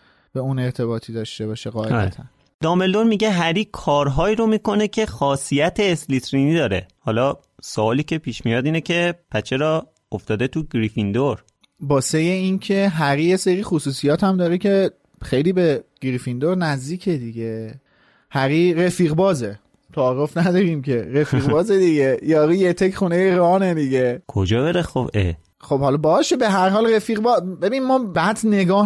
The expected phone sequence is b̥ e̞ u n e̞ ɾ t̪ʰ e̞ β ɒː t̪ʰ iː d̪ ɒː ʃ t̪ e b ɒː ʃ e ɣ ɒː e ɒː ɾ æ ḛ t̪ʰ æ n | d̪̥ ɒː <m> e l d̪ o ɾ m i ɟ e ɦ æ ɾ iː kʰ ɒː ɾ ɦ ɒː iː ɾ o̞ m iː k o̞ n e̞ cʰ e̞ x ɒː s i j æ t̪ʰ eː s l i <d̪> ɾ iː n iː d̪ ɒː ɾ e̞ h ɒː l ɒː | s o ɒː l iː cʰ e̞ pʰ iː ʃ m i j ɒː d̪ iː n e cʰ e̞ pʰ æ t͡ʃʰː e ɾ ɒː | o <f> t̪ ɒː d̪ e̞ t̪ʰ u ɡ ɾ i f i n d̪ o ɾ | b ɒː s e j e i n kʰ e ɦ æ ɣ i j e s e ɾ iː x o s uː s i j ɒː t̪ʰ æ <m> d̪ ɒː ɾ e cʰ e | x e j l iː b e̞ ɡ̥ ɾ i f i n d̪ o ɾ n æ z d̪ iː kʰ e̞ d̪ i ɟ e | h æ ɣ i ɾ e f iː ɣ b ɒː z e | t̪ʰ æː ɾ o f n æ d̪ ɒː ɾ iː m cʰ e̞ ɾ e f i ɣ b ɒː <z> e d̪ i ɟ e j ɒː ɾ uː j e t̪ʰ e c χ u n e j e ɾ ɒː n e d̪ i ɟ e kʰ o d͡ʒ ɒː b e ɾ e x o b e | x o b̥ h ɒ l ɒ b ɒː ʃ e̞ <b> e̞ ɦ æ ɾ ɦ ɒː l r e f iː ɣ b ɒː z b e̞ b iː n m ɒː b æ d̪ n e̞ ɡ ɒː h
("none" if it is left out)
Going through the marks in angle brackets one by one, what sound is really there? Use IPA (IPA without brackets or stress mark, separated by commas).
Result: m, t̪, f, m, z, b